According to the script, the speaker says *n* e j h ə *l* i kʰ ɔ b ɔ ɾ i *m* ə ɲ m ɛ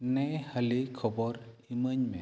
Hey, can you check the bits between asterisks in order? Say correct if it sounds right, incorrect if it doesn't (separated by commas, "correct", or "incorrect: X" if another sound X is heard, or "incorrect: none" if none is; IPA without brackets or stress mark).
correct, correct, correct